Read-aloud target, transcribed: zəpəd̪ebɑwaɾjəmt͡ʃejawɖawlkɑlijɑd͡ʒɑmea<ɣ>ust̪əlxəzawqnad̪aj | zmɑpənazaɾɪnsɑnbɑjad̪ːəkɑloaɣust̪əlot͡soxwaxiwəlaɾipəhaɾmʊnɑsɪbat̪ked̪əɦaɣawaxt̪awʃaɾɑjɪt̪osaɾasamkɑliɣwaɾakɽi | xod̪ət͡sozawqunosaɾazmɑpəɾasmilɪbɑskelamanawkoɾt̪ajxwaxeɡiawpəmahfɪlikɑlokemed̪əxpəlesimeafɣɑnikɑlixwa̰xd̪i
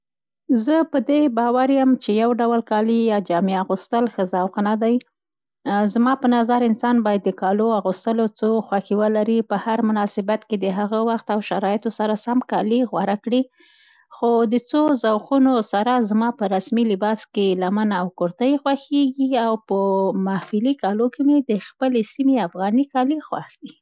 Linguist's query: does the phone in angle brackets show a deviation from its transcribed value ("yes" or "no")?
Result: no